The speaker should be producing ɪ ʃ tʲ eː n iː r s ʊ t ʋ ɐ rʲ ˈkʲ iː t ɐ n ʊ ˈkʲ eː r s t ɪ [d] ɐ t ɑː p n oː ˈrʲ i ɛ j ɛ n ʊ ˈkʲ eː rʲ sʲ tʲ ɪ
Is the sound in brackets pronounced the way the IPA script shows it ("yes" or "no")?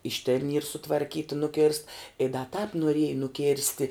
yes